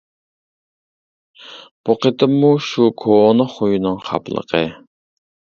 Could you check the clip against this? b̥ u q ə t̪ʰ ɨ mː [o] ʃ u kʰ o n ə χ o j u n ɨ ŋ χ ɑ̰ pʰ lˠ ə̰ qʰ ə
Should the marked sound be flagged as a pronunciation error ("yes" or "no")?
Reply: yes